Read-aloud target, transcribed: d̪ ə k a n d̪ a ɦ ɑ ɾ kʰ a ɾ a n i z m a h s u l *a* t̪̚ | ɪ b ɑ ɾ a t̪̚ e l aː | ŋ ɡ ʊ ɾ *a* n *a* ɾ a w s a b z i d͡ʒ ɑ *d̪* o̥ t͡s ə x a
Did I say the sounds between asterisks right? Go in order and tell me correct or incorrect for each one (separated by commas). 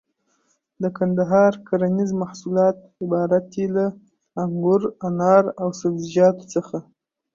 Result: incorrect, correct, incorrect, incorrect